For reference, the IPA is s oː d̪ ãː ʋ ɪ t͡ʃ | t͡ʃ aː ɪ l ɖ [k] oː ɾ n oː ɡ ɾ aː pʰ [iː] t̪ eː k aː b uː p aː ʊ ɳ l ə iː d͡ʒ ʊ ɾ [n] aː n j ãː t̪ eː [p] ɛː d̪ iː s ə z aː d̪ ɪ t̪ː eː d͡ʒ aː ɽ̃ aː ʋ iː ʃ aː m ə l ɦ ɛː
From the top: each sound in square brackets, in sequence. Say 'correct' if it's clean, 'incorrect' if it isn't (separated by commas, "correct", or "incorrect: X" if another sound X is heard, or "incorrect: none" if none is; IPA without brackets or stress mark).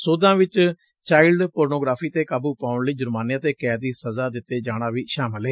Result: incorrect: p, correct, incorrect: m, incorrect: k